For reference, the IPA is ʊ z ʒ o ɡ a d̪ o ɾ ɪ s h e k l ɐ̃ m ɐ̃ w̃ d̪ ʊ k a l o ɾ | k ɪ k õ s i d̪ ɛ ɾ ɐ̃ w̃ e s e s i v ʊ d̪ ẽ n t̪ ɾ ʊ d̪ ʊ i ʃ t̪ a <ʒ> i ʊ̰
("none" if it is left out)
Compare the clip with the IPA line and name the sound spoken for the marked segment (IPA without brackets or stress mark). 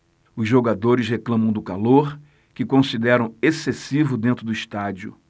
d͡ʒ